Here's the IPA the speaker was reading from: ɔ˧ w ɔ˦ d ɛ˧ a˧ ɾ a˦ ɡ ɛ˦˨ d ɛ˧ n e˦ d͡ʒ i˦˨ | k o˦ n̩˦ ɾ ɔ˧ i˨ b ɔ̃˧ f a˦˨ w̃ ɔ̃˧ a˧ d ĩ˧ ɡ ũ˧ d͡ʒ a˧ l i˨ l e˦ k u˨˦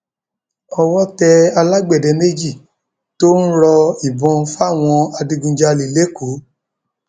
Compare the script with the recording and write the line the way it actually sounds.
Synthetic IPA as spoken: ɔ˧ w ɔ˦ t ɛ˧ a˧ l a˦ ɡ͡b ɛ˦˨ d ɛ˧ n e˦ d͡ʒ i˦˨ | t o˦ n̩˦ ɾ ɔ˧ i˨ b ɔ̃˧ f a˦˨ w̃ ɔ̃˧ a˧ d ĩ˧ ɡ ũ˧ d͡ʒ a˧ l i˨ l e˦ k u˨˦

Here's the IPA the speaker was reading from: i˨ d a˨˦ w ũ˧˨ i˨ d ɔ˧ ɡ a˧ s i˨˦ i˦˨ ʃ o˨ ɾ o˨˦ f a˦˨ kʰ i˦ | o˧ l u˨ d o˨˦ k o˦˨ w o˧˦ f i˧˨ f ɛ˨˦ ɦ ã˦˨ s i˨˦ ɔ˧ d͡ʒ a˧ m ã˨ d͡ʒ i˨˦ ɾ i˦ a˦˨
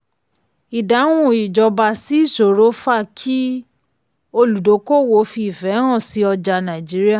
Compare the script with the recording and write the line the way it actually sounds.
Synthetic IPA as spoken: i˨ d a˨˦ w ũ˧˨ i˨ d͡ʒ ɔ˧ b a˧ s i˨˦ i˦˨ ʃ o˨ ɾ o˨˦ f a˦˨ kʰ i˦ | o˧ l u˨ d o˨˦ k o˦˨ w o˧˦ f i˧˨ f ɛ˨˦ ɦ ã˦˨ s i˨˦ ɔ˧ d͡ʒ a˧ n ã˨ d͡ʒ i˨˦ ɾ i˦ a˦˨

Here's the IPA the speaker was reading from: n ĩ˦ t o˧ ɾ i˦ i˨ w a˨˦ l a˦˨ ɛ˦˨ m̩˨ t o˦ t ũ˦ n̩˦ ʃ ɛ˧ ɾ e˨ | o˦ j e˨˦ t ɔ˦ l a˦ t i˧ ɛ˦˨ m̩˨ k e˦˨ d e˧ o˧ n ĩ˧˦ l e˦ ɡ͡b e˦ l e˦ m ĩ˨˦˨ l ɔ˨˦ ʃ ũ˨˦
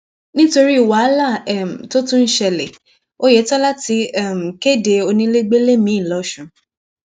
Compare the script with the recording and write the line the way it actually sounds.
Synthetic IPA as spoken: n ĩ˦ t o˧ ɾ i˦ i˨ w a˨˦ l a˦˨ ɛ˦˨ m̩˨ t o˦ t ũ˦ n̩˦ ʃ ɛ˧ l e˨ | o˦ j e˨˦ t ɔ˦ l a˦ t i˧ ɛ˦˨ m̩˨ k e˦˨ d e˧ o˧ n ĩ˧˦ l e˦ ɡ͡b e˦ l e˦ m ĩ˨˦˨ l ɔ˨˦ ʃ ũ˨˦

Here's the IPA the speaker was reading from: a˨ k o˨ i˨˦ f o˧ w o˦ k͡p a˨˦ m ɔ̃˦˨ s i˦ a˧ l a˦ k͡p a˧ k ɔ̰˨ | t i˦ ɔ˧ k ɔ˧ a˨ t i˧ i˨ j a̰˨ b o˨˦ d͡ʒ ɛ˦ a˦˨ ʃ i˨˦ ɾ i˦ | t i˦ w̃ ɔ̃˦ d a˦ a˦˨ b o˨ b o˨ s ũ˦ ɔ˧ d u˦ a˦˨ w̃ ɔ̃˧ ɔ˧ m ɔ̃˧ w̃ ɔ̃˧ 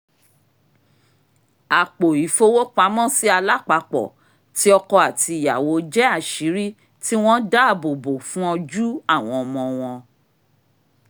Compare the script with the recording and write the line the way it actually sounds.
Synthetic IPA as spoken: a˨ k͡p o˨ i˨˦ f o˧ w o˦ k͡p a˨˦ m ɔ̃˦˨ s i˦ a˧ l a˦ k͡p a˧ k͡p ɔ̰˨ | t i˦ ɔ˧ k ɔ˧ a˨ t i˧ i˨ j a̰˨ w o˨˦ d͡ʒ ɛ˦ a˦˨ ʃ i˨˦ ɾ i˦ | t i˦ w̃ ɔ̃˦ d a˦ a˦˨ b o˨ b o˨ f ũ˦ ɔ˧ d͡ʒ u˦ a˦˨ w̃ ɔ̃˧ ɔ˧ m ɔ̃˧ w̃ ɔ̃˧

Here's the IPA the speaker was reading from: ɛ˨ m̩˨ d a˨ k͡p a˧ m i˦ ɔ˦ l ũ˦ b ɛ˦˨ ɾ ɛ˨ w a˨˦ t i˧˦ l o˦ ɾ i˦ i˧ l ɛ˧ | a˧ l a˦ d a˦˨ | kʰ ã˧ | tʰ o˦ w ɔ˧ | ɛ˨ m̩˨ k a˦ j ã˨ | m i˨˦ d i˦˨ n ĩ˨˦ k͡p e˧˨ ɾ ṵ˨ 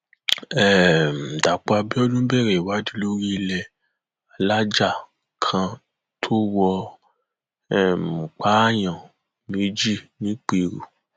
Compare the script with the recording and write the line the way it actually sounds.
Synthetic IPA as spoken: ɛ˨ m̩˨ d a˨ k͡p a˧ b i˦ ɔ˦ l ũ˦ b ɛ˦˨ ɾ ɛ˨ w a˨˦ d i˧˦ l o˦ ɾ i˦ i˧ l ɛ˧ | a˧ l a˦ d͡ʒ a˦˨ | kʰ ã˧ | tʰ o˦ w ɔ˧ | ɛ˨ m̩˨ k͡p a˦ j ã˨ | m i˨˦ d͡ʒ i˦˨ n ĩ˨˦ k͡p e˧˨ ɾ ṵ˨

